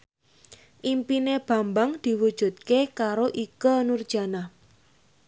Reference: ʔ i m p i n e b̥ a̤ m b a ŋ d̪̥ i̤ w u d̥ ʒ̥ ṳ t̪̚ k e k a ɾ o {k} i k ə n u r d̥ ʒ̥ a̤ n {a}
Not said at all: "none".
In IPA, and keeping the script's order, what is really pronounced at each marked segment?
ʔ, a

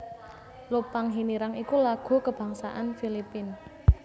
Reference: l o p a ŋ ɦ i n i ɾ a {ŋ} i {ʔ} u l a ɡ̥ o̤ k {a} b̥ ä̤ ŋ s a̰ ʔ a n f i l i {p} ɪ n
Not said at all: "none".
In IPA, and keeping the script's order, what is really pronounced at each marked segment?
ŋ, k, ə, p

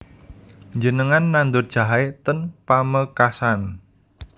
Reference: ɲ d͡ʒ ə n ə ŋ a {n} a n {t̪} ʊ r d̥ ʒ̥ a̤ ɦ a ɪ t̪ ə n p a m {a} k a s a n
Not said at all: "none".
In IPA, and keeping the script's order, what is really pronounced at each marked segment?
nː, d̪, ə

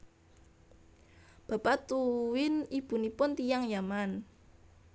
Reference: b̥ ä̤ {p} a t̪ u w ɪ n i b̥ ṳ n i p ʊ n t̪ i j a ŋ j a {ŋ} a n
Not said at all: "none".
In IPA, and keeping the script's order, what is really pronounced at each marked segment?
p, m

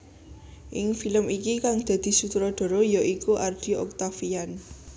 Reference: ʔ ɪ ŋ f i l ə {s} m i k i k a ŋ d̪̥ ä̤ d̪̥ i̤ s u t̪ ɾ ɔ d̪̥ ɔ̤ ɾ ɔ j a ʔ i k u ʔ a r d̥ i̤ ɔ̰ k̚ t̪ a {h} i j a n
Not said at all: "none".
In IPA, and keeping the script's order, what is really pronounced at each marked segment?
none, f

